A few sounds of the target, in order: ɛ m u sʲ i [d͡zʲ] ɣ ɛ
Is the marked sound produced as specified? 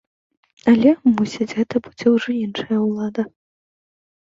yes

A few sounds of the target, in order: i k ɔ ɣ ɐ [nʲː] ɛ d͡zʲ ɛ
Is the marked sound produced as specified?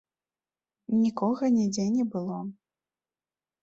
no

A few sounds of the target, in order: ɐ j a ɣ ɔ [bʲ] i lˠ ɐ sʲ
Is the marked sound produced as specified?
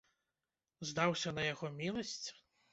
no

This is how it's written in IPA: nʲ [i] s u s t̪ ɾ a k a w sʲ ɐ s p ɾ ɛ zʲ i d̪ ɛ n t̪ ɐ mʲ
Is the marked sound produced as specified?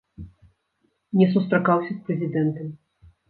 no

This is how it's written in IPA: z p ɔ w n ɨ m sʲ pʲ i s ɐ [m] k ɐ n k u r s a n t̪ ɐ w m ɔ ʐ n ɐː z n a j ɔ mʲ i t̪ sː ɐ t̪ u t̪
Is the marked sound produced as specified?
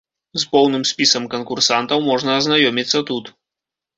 yes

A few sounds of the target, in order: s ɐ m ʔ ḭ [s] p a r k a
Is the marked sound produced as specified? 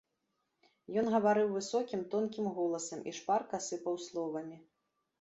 no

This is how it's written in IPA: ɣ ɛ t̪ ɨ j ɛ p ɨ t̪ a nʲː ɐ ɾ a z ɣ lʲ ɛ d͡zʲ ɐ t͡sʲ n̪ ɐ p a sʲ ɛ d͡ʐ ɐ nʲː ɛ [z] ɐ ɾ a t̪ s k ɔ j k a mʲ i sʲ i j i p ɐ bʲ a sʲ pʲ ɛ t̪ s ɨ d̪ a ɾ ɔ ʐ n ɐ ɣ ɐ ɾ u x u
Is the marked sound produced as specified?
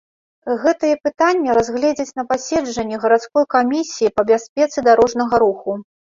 no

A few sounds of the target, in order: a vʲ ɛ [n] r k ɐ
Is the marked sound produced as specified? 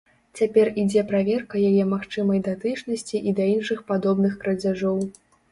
no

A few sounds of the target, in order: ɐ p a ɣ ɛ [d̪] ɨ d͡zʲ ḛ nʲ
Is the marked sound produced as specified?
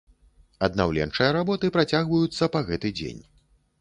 no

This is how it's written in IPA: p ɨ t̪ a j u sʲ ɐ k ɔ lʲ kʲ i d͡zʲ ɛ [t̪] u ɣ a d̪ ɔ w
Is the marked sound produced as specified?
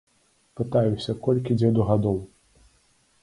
no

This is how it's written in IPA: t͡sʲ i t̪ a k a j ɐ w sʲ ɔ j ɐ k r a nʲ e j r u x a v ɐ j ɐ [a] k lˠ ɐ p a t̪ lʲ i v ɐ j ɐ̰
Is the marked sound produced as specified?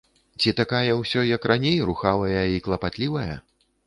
no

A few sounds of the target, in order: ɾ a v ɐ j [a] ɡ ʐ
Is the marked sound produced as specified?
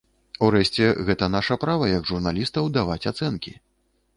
no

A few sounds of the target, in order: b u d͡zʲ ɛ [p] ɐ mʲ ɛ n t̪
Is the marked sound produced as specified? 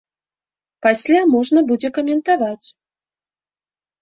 no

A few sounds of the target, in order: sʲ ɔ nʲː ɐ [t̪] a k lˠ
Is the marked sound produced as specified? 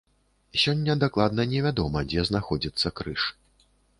no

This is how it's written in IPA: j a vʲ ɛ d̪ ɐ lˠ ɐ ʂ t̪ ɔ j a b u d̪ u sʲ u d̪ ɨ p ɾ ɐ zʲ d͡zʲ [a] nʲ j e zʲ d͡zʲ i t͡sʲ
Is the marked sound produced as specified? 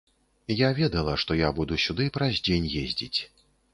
no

